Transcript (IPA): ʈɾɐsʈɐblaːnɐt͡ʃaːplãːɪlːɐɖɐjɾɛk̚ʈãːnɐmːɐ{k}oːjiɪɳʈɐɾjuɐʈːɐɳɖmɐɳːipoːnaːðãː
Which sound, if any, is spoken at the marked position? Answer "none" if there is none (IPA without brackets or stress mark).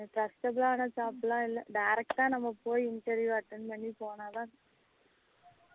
p